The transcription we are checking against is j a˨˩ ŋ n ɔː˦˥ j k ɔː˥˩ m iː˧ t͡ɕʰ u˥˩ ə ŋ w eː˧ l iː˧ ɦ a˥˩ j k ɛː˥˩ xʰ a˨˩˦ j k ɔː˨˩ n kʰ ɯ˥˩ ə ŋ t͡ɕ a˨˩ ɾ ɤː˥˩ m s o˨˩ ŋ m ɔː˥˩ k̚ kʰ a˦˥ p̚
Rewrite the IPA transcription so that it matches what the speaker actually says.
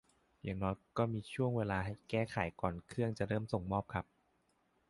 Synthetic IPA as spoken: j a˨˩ ŋ n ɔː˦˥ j k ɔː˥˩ m iː˧ t͡ɕʰ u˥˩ ə ŋ w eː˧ l aː˧ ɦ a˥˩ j k ɛː˥˩ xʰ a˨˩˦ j k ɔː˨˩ n kʰ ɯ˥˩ ə ŋ t͡ɕ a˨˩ ɾ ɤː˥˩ m s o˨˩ ŋ m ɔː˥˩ p̚ kʰ a˦˥ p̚